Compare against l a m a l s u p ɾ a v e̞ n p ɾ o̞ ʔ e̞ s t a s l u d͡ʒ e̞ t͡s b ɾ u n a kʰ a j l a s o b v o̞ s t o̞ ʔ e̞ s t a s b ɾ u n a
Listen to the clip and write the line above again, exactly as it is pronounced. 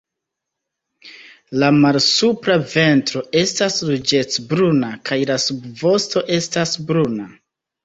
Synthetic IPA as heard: l a m a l s u p ɾ a v e̞ n t ɾ o̞ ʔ e̞ s t a s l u d͡ʒ e̞ t͡s b ɾ u n a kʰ a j l a s u b v o̞ s t o̞ ʔ e̞ s t a s b ɾ u n a

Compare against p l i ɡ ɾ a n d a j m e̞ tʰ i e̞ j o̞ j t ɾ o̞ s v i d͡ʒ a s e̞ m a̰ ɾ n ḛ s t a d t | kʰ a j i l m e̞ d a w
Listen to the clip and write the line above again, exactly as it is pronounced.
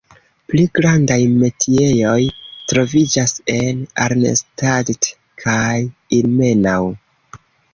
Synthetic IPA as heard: p l i ɡ ɾ a n d a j m e̞ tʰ i e̞ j o̞ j t ɾ o̞ v i d͡ʒ a s e̞ n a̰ ɾ n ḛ s t a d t | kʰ a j i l m e̞ n a w

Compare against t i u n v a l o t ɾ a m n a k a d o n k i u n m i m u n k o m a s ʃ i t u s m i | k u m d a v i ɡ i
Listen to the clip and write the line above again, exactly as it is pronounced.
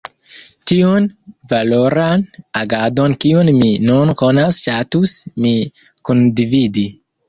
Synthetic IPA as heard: t i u n v a l o ɾ a n a ɡ a d o n k i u n m i n u n k o n a s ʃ a t u s m i | k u n d i v i d i

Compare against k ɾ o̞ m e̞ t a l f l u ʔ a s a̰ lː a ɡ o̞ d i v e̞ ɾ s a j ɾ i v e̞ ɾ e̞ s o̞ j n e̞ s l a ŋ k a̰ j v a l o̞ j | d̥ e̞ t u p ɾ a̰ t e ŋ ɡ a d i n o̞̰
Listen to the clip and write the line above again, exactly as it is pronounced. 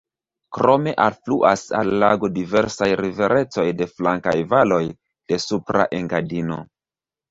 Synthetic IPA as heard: k ɾ o̞ m e̞ ʔ a l f l u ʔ a s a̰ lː a ɡ o̞ d i v e̞ ɾ s a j ɾ i v e̞ ɾ e̞ t͡s o̞ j d e̞ f l a ŋ k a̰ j v a l o̞ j | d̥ e̞ s u p ɾ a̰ ʔ e ŋ ɡ a d i n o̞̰

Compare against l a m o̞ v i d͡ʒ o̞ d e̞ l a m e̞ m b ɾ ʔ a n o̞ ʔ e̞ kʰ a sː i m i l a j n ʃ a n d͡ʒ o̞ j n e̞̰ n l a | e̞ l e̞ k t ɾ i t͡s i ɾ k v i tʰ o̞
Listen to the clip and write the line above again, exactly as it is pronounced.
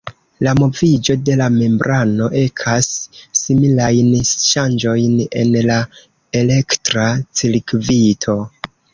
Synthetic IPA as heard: l a m o̞ v i d͡ʒ o̞ d e̞ l a m e̞ m b ɾ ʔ a n o̞ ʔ e̞ kʰ a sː i m i l a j n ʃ a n d͡ʒ o̞ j n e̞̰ n l a | e̞ l e̞ k t ɾ a t͡s i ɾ k v i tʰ o̞

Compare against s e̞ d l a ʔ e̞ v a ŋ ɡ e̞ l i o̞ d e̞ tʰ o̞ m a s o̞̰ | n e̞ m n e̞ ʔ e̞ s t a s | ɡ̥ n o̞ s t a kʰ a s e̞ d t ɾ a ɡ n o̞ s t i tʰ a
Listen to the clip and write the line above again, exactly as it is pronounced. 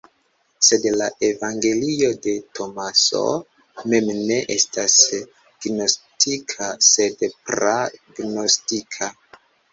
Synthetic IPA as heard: s e̞ d l a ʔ e̞ v a ŋ ɡ e̞ l i o̞ d e̞ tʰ o̞ m a s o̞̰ | m e̞ m n e̞ ʔ e̞ s t a s | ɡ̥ n o̞ s t i kʰ a s e̞ d p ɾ a ɡ n o̞ s t i kʰ a

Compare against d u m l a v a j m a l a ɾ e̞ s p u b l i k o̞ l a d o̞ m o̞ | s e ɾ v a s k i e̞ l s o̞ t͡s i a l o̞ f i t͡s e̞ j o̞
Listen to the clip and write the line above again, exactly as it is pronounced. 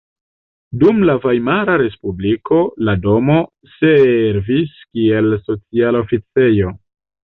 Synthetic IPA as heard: d u m l a v a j m a ɾ a ɾ e̞ s p u b l i k o̞ l a d o̞ m o̞ | s e ɾ v i s k i e̞ l s o̞ t͡s i a l o̞ f i t͡s e̞ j o̞

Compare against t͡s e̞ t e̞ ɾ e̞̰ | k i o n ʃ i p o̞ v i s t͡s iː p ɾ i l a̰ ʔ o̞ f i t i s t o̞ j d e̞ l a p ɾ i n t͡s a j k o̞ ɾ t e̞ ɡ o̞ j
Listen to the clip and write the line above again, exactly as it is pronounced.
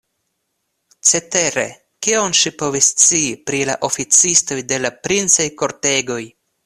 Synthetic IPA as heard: t͡s e̞ t e̞ ɾ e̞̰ | k i o n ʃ i p o̞ v i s t͡s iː p ɾ i l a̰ ʔ o̞ f i t͡s i s t o̞ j d e̞ l a p ɾ i n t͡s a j k o̞ ɾ t e̞ ɡ o̞ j

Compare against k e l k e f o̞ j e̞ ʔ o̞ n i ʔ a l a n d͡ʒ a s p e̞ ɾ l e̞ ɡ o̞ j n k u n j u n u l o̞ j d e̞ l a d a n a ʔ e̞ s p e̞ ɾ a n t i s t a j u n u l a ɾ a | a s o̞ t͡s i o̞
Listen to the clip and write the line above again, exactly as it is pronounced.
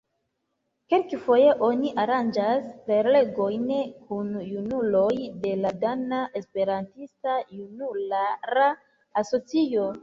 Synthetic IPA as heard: k e l k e f o̞ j e̞ ʔ o̞ n i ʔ a ɾ a n d͡ʒ a s p e̞ ɾ l e̞ ɡ o̞ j n k u n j u n u l o̞ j d e̞ l a d a n a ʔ e̞ s p e̞ ɾ a n t i s t a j u n u l a ɾ a | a s o̞ t͡s i o̞

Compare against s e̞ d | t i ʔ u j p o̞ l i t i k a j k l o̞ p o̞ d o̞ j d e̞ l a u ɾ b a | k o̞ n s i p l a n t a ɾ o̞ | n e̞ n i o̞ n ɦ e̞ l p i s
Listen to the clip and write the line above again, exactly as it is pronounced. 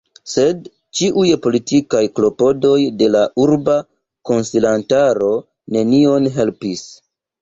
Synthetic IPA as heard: s e̞ d | t͡ʃ i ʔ u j p o̞ l i t i k a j k l o̞ p o̞ d o̞ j d e̞ l a u ɾ b a | k o̞ n s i l a n t a ɾ o̞ | n e̞ n i o̞ n ɦ e̞ l p i s

